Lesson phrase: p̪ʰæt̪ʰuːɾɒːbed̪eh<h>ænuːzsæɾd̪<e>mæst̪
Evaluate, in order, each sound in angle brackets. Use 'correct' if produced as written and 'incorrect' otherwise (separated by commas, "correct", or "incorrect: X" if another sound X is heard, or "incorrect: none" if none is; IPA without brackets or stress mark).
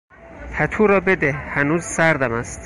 correct, incorrect: æ